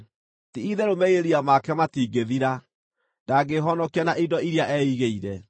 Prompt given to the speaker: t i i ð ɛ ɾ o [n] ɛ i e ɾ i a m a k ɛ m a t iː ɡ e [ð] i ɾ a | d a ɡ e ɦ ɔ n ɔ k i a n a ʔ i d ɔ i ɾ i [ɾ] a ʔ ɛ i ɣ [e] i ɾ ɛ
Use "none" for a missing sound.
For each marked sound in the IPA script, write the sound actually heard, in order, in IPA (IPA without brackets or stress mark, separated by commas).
m, ð, none, e